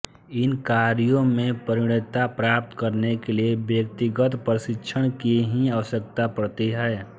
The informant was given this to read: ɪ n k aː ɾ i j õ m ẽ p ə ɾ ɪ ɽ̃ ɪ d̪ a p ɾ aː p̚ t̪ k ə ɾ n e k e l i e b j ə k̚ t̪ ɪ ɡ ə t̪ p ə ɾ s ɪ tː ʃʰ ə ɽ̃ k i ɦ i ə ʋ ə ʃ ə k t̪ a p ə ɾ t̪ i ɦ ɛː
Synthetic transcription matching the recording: ɪ n k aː ɾ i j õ m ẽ p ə ɾ ɪ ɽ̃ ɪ t̪ a p ɾ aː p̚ t̪ k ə ɾ n e k e l i e b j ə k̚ t̪ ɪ ɡ ə t̪ p ə ɾ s ɪ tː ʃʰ ə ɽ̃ k i ɦ i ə ʋ ə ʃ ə k t̪ a p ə ɾ t̪ i ɦ ɛː